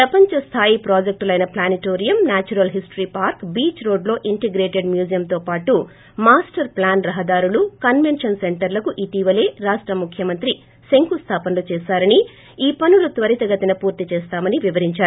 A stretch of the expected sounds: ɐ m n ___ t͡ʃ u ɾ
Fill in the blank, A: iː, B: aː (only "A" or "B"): B